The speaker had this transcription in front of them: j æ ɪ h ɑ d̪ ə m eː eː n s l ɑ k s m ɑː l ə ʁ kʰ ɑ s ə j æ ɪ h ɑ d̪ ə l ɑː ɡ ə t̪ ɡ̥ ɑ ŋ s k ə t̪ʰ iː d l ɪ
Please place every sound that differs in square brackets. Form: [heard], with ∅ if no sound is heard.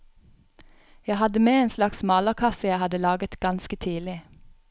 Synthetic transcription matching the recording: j æ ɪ h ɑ d̪ ə m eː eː n s l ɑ k s m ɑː l ə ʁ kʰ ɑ s ə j æ ɪ h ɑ d̪ ə l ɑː ɡ ə t̪ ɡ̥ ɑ [n] s k ə t̪ʰ iː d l ɪ